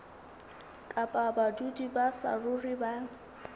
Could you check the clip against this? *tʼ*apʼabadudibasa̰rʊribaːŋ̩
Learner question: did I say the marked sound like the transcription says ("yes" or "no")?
no